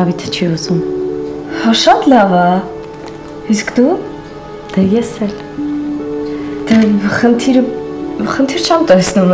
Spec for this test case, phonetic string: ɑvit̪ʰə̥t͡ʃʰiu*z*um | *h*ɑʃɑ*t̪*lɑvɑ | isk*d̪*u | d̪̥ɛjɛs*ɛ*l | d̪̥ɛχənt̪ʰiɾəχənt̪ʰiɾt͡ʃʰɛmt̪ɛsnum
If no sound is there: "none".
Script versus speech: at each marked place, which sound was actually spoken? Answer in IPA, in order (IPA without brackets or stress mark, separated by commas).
z, h, t̪, d̪, ɛ